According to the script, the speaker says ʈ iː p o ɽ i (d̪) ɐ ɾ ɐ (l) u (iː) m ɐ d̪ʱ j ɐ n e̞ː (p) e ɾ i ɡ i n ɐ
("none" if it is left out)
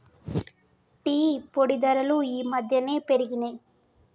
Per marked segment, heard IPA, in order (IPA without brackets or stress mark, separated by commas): d̪, l, iː, p